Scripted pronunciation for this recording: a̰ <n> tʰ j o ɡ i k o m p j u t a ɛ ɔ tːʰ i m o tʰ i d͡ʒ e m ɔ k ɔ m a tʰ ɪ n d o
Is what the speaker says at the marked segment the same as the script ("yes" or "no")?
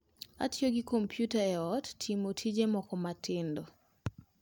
no